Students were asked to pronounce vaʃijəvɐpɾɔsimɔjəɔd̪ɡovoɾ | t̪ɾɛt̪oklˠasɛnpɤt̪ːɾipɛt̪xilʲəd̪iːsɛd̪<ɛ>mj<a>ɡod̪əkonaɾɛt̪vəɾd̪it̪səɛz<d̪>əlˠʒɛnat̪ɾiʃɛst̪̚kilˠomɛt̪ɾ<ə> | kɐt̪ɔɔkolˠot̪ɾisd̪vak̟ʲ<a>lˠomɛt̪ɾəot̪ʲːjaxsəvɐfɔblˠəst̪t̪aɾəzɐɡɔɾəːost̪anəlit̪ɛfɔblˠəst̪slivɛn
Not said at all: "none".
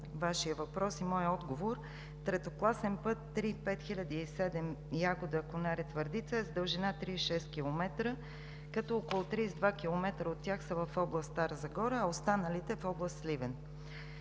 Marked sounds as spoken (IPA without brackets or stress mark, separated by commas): ɛ, a, d̪, ə, i